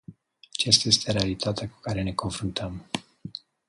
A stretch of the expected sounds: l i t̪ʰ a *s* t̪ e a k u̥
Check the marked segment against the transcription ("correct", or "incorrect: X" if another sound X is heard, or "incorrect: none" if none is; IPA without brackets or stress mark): incorrect: none